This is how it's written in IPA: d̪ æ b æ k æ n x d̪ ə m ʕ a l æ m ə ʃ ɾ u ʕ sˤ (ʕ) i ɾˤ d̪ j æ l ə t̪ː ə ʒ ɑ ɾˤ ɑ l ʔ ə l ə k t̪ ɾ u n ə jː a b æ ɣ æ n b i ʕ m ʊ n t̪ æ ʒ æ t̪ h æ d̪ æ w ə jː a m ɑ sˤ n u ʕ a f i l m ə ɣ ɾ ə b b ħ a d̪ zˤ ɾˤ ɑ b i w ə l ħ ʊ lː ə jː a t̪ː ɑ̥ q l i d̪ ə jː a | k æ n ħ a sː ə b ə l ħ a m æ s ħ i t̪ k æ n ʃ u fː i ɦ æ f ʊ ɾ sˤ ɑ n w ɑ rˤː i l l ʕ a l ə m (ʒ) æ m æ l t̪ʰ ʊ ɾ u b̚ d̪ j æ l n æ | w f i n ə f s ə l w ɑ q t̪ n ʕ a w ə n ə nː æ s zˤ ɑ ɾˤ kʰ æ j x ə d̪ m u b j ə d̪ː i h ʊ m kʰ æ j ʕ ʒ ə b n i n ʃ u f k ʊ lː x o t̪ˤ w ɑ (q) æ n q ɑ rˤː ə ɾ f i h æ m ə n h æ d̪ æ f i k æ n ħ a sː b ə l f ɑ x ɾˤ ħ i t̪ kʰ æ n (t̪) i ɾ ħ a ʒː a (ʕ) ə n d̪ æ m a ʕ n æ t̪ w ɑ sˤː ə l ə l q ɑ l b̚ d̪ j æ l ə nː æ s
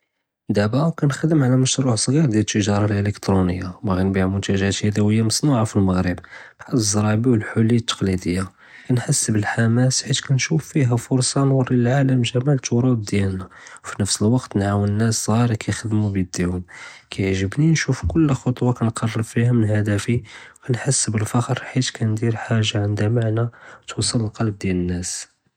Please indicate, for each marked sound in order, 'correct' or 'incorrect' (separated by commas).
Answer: incorrect, correct, incorrect, incorrect, correct